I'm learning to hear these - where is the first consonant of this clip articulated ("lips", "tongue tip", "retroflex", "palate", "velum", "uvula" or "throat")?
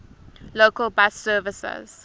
tongue tip